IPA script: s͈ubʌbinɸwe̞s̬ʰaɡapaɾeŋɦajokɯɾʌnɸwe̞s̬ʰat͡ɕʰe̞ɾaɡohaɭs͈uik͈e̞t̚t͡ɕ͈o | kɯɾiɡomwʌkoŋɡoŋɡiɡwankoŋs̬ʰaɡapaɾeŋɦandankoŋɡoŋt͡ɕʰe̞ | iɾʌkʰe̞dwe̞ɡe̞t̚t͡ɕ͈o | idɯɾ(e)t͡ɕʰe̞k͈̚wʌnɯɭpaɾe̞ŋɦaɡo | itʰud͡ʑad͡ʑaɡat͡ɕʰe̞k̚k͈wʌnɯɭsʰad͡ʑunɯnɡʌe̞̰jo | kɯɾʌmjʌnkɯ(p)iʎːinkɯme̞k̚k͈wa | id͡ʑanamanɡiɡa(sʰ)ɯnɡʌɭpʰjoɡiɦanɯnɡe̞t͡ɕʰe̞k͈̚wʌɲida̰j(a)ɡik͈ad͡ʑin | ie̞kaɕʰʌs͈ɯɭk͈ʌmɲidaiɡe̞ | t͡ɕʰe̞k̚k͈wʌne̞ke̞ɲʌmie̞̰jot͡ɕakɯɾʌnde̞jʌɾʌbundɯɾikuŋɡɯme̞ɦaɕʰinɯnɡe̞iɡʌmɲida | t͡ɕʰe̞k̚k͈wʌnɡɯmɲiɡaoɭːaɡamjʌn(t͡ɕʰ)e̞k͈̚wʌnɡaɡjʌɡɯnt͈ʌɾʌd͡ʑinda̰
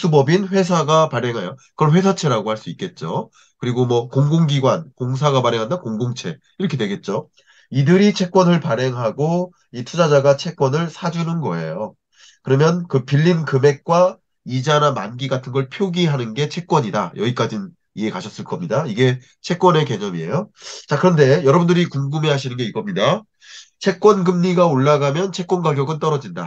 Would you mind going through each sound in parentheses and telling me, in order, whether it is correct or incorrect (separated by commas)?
incorrect, correct, incorrect, incorrect, correct